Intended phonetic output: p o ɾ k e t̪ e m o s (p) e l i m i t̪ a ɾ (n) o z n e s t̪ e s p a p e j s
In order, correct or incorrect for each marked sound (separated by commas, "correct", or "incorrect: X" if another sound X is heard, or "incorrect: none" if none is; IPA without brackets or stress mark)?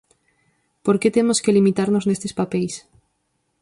incorrect: k, correct